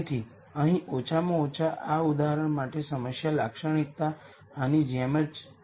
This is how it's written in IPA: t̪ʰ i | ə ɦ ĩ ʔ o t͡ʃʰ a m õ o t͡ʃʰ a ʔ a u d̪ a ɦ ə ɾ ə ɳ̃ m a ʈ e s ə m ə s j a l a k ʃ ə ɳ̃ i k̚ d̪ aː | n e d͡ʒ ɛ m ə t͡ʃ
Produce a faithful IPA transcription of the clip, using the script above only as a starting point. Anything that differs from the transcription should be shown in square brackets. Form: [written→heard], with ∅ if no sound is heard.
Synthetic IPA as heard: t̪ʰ i | ə ɦ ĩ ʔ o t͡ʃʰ a m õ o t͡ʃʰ a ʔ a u d̪ a ɦ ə ɾ ə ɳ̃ m a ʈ e s ə m ə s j a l a k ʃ ə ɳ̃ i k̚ [d̪→t̪] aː | n [e→i] d͡ʒ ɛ m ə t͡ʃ